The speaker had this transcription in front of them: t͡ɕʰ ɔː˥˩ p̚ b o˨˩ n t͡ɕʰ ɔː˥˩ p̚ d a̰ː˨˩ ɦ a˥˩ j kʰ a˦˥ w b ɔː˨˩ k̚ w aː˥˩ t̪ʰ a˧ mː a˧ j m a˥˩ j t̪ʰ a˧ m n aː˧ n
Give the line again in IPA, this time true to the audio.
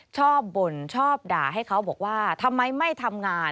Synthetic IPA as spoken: t͡ɕʰ ɔː˥˩ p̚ b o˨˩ n t͡ɕʰ ɔː˥˩ p̚ d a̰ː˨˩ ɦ a˥˩ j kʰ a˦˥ w b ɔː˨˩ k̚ w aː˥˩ t̪ʰ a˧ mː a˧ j m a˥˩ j t̪ʰ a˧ m ŋ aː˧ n